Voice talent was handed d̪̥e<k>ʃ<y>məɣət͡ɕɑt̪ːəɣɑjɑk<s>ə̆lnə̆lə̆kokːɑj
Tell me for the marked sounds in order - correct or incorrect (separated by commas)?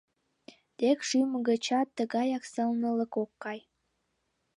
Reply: correct, correct, correct